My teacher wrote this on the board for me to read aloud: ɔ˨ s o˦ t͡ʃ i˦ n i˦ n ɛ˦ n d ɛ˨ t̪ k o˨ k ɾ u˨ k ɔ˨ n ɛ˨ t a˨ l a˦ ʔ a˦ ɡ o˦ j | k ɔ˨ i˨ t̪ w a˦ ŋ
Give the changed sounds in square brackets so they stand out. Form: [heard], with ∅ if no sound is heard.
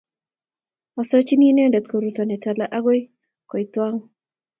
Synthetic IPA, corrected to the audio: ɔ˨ s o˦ t͡ʃ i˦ n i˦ n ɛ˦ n d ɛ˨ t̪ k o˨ [∅] ɾ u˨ [t] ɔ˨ n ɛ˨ t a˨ l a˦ ʔ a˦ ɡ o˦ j | k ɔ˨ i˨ t̪ w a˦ ŋ